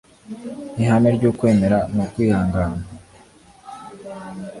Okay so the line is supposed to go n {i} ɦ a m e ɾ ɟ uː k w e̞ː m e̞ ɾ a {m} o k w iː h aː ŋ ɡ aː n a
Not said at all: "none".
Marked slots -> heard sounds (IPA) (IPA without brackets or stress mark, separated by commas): i, n